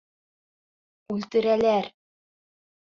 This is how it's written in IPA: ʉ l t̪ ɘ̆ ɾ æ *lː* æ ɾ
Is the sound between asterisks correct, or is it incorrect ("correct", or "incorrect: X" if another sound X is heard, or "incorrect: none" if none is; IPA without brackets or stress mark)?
incorrect: l